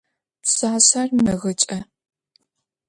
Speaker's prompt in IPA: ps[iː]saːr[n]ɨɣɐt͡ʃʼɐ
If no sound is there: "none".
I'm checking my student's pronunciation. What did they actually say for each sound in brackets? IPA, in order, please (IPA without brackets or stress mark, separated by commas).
aː, m